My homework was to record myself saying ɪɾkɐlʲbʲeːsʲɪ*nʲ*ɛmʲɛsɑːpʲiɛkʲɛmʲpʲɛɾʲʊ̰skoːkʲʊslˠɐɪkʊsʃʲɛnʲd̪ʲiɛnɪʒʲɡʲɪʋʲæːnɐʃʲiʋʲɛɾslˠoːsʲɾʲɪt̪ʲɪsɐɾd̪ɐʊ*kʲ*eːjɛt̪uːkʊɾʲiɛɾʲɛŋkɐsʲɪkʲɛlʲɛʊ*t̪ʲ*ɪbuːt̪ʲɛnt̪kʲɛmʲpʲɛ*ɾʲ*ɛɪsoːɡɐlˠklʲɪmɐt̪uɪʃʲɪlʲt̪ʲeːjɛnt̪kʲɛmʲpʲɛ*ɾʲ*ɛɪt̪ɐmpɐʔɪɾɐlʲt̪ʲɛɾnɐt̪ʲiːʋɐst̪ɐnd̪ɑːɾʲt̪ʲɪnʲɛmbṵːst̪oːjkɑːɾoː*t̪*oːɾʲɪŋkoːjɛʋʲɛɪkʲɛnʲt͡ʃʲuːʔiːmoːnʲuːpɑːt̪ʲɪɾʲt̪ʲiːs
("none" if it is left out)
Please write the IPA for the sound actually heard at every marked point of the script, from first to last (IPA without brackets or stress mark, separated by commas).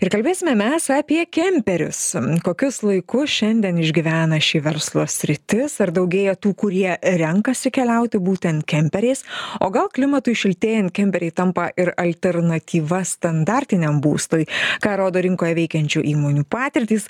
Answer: mʲ, ɡʲ, t̪ʲ, ɾʲ, ɾʲ, d̪